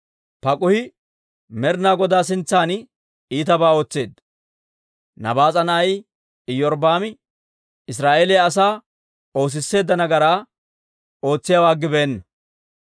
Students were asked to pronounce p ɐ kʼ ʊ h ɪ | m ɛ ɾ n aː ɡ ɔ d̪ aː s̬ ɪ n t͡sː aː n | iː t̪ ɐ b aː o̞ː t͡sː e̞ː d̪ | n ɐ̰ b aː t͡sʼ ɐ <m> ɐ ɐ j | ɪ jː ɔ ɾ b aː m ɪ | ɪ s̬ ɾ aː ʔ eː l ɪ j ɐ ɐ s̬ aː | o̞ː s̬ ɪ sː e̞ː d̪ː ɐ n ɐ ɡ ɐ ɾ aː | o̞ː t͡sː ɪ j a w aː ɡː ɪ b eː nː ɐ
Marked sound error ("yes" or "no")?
yes